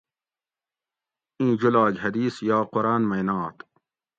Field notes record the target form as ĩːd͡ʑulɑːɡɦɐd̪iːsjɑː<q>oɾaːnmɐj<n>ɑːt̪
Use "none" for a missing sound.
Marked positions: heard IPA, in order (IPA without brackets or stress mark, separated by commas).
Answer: q, n